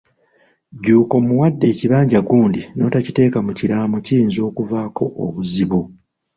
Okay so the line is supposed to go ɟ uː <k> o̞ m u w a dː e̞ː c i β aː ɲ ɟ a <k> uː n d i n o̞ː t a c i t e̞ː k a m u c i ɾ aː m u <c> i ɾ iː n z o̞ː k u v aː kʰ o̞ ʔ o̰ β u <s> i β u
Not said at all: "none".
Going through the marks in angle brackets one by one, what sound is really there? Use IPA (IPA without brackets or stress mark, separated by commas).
k, ɡ, c, z